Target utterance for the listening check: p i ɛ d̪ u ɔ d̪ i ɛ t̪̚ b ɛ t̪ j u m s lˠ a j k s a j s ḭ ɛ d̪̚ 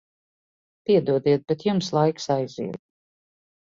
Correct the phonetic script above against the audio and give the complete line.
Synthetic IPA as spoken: p i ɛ d̪ u ɔ d̪ i ɛ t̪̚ b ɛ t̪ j u m s lˠ a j k s a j z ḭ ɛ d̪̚